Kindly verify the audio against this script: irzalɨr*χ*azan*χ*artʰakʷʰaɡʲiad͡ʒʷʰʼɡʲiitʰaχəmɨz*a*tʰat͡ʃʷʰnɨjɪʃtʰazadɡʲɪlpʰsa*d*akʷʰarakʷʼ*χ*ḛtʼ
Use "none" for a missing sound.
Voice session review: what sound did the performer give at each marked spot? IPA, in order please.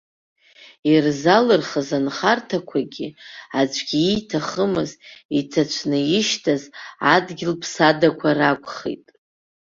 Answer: χ, χ, i, d, χ

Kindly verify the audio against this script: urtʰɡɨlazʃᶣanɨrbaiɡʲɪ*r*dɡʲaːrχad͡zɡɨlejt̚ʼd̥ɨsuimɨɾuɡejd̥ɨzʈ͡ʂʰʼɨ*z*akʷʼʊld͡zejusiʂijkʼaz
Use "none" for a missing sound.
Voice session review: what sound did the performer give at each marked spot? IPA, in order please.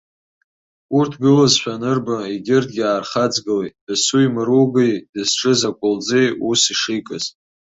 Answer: r, z

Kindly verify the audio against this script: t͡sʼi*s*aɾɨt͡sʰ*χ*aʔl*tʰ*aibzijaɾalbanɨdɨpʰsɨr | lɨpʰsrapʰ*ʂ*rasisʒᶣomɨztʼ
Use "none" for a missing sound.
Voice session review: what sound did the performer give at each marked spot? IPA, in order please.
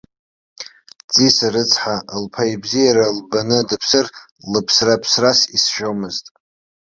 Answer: s, ħ, pʰ, s

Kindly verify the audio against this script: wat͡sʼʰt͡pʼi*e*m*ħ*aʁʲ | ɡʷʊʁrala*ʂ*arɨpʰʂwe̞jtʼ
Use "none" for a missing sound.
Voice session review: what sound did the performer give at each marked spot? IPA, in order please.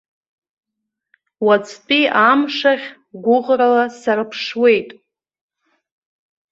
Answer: a, ʂ, s

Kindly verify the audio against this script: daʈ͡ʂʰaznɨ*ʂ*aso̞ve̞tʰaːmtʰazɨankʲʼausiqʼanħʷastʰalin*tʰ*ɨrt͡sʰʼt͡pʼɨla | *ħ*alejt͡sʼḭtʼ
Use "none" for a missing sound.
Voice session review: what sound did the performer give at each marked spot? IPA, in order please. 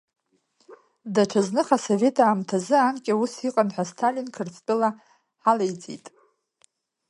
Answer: χ, kʰ, ħ

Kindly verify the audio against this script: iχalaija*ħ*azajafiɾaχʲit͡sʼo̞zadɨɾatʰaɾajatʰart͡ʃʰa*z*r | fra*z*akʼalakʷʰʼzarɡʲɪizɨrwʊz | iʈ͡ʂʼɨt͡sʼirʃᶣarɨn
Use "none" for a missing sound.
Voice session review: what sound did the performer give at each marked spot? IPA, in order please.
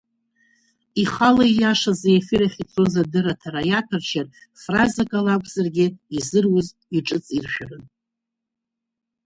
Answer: ʂ, none, z

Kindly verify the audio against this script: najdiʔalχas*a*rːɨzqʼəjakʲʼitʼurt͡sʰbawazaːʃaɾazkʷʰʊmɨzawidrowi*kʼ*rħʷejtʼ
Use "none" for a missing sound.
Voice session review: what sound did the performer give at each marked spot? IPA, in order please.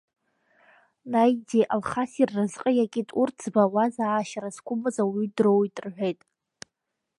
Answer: i, tʼ

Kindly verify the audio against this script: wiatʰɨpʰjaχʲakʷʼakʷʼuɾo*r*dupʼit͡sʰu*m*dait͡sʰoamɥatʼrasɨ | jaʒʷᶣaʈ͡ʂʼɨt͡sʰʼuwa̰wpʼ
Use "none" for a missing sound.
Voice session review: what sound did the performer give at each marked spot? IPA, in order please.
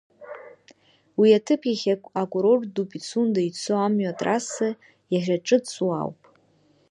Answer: r, n

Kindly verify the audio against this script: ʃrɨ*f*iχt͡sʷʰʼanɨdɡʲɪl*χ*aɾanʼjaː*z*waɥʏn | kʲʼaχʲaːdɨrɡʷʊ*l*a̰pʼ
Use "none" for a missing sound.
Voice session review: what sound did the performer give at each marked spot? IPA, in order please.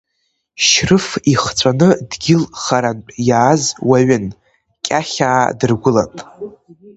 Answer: f, χ, z, l

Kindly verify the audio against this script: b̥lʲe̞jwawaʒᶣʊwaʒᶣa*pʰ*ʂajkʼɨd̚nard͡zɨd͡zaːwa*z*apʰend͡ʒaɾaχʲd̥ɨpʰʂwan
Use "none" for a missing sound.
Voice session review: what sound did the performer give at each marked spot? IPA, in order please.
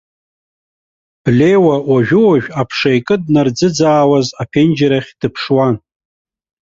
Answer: pʰ, z

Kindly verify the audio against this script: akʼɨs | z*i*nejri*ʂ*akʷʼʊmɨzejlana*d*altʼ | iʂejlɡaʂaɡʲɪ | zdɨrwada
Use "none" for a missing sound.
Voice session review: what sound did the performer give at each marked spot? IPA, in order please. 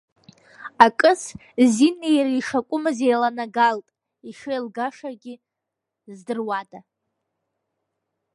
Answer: i, ʂ, ɡ

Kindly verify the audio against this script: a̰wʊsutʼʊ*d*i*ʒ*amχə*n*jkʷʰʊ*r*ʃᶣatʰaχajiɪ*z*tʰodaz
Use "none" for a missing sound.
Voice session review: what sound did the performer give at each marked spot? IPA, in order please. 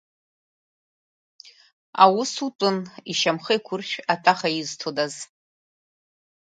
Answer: n, ʃ, none, r, z

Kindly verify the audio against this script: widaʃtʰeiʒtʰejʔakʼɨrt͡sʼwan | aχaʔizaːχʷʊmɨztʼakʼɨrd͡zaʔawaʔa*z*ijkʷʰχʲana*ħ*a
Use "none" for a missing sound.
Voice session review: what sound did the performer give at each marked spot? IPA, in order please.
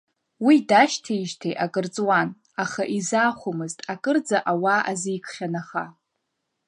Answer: z, χ

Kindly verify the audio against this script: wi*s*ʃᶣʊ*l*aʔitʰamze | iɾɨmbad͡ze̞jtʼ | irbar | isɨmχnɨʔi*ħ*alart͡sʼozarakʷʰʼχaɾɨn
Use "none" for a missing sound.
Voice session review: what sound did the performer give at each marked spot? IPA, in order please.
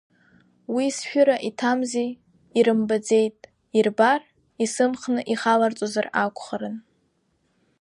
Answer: s, ɾ, χ

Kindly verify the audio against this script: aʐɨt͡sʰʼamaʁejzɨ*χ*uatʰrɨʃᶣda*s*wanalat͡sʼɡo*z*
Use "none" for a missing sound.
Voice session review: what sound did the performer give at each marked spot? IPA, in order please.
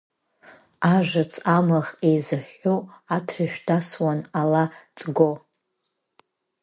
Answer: ħ, s, none

